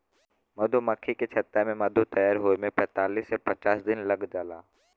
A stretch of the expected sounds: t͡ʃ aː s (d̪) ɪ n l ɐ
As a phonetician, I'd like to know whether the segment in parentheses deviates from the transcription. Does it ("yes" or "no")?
no